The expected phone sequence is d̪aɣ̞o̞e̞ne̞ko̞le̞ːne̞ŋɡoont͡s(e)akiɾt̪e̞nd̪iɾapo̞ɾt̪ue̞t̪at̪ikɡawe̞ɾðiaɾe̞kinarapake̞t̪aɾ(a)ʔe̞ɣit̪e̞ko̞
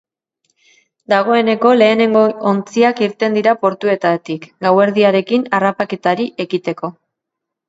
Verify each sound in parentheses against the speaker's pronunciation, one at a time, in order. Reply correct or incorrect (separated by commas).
incorrect, incorrect